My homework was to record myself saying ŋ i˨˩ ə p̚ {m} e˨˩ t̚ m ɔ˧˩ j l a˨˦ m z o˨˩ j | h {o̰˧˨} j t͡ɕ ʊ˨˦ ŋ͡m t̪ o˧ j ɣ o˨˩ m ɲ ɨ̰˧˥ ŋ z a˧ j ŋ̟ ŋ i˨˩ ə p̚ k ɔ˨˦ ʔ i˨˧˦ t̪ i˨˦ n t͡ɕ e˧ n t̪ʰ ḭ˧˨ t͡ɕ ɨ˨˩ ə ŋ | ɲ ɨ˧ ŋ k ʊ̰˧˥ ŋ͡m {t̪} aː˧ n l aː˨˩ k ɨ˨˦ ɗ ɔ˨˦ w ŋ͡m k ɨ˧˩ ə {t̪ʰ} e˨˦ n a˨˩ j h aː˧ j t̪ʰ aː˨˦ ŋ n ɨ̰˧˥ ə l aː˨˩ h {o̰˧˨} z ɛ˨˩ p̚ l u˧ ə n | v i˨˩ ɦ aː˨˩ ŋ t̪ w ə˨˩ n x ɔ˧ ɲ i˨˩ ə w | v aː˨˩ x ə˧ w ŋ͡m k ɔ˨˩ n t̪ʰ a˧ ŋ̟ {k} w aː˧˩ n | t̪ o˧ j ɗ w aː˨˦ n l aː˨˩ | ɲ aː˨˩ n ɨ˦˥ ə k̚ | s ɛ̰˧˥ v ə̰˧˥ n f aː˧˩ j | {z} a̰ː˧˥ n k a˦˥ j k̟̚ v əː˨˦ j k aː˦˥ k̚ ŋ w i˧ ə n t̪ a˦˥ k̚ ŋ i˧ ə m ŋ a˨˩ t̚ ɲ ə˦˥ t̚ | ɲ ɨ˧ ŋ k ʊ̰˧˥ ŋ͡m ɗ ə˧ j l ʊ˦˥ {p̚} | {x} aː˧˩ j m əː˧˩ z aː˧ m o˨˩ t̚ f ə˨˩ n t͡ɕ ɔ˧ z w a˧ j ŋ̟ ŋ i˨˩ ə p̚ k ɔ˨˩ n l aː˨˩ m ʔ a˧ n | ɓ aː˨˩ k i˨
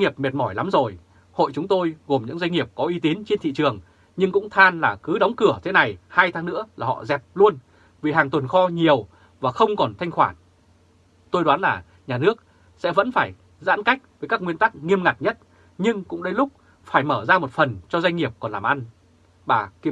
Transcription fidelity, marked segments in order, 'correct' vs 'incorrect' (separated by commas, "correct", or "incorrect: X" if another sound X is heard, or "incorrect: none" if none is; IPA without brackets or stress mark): correct, correct, incorrect: t̪ʰ, correct, incorrect: ɔ̰˧˨, incorrect: x, correct, incorrect: k͡p̚, incorrect: f